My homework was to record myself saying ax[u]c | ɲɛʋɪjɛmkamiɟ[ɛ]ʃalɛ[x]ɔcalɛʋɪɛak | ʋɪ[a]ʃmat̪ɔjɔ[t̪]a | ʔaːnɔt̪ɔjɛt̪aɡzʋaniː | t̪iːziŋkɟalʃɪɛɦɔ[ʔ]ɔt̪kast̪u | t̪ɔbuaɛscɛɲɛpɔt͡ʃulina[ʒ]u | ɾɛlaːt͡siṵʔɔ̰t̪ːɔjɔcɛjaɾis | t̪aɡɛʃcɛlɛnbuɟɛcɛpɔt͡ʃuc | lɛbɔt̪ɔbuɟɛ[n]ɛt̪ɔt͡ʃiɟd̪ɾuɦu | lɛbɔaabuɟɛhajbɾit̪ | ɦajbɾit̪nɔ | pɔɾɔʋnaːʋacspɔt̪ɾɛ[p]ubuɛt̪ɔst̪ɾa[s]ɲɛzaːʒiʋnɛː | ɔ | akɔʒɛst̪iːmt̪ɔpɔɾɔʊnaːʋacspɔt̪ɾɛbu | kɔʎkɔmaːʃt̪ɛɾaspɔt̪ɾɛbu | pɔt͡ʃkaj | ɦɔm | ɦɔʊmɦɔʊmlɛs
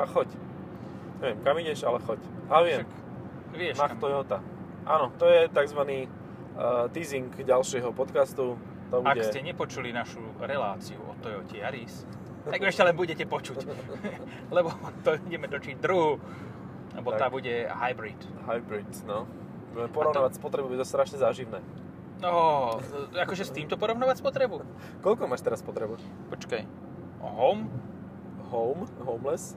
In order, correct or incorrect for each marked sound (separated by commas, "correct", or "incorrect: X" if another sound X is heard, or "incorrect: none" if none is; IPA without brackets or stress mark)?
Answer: incorrect: ɔ, correct, correct, incorrect: ɛ, correct, incorrect: p, incorrect: ʃ, incorrect: m, incorrect: b, incorrect: ʃ